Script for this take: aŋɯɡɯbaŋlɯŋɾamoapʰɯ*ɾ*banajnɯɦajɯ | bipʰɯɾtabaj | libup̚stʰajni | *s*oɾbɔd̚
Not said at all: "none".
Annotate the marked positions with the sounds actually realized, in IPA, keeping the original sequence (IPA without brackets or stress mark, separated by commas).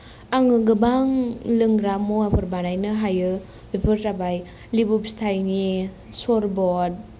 ɾ, s